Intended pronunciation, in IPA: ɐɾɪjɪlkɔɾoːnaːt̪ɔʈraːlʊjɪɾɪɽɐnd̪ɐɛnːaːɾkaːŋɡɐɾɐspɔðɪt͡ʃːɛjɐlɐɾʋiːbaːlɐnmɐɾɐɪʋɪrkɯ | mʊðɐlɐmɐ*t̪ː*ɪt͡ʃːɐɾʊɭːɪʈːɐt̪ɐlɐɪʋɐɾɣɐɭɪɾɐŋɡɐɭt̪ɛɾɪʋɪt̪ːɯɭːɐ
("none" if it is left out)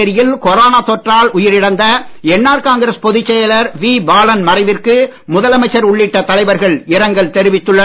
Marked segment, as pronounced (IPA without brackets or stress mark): none